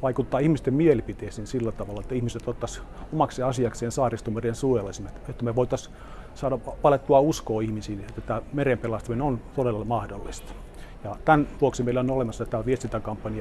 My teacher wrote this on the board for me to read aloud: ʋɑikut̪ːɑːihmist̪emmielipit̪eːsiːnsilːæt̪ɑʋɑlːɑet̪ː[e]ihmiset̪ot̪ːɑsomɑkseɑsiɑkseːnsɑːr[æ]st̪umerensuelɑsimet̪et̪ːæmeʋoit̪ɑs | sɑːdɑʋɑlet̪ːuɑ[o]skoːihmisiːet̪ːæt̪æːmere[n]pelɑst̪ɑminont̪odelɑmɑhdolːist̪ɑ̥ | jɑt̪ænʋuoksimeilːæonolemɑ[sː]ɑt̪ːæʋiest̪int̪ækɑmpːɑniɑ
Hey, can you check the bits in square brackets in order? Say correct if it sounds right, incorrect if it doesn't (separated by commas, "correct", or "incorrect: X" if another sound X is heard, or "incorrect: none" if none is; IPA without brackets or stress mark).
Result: incorrect: æ, incorrect: i, incorrect: u, incorrect: m, correct